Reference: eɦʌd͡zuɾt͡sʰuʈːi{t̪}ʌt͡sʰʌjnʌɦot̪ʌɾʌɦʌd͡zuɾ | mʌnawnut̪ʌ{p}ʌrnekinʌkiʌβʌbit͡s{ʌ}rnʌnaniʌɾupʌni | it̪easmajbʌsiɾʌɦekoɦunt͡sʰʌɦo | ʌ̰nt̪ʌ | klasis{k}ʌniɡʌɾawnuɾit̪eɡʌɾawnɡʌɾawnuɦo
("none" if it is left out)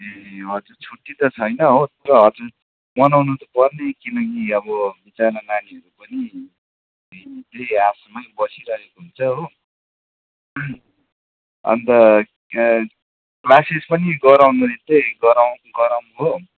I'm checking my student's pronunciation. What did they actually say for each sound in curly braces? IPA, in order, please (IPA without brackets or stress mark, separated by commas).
t̪, p, a, p